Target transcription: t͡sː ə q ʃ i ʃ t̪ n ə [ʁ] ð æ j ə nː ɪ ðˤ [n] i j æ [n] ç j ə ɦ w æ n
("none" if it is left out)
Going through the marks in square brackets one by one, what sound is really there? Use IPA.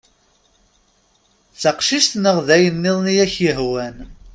ʁ, n, none

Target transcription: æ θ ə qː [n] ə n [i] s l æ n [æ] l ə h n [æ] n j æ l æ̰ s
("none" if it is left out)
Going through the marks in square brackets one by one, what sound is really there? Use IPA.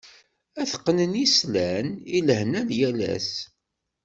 n, i, i, æ

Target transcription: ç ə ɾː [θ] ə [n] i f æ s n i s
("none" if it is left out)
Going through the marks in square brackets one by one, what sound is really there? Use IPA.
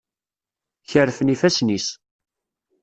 f, n

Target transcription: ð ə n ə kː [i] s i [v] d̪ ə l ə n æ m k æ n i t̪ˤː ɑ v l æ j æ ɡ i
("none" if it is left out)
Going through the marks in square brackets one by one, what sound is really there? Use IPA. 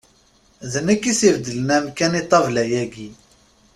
i, v

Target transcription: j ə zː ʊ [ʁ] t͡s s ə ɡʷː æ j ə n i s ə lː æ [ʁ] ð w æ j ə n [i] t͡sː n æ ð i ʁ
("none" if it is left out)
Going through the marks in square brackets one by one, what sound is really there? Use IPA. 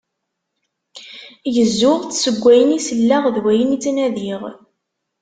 ʁ, ʁ, i

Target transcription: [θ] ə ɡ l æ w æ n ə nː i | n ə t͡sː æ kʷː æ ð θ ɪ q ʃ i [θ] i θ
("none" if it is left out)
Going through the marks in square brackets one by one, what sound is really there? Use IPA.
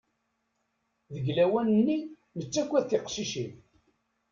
ð, ʃ

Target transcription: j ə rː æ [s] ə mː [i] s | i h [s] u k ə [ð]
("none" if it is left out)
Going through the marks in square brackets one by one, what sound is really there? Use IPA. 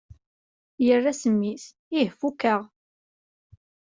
s, i, f, ʁ

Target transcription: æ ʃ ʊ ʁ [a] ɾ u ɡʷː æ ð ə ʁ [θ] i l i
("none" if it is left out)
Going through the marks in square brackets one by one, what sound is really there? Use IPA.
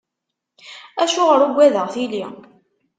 ə, θ

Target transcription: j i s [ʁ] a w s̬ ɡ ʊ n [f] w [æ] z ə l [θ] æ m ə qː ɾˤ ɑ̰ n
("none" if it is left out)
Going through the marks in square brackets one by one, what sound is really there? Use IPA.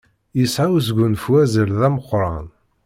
ʕ, f, æ, ð

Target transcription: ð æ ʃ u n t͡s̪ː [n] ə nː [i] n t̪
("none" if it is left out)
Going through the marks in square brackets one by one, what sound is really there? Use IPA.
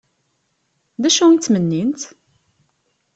m, i

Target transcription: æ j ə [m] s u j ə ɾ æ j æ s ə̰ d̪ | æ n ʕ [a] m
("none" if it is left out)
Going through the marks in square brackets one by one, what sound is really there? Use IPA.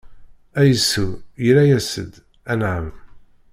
none, ə

